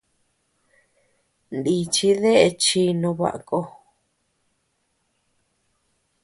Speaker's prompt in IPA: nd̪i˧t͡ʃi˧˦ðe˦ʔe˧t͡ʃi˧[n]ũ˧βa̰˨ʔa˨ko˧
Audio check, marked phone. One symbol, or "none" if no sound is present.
n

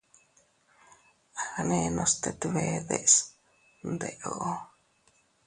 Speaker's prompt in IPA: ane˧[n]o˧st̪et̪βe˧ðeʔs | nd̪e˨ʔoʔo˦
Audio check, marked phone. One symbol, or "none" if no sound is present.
n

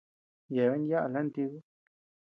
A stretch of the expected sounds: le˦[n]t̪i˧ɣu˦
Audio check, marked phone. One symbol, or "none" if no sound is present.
n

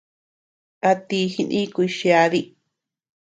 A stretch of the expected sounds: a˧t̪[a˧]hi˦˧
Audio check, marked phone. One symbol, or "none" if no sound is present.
i˧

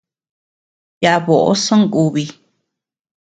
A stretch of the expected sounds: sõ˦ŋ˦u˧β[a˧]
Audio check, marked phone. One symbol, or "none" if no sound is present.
i˧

